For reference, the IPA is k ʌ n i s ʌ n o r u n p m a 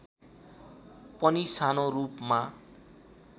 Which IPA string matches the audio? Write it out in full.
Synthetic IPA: p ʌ n i s a n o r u p m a